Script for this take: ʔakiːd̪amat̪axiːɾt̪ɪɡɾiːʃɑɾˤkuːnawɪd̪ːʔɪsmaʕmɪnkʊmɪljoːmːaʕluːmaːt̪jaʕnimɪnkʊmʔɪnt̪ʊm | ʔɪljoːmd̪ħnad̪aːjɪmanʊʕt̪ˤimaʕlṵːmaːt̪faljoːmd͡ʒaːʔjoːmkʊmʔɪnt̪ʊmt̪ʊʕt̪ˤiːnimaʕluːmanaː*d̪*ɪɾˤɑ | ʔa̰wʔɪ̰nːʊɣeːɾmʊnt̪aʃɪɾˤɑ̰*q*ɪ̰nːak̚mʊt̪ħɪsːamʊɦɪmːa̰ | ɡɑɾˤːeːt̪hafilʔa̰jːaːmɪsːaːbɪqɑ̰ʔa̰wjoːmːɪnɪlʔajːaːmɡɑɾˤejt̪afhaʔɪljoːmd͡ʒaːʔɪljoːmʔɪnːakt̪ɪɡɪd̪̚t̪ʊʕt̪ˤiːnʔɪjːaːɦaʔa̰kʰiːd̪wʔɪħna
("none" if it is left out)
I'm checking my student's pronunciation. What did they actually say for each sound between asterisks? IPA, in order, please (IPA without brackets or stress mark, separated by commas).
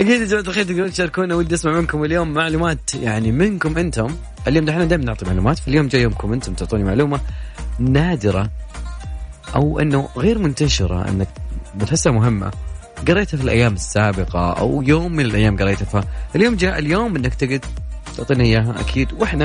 d̪, ʔ